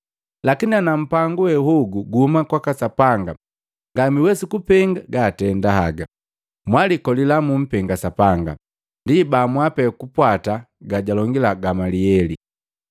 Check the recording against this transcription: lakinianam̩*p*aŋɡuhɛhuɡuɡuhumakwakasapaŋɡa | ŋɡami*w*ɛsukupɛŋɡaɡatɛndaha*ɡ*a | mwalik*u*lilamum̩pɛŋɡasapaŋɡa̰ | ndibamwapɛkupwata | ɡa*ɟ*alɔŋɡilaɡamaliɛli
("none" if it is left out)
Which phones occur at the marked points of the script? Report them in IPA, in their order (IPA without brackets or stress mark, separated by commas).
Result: p, w, ɡ, ɔ, ɟ